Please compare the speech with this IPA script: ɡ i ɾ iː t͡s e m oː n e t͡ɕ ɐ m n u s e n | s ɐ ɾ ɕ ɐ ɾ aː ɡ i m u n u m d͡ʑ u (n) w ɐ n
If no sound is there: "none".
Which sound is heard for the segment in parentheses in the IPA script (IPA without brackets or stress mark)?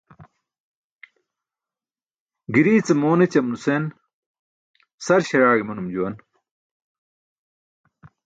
none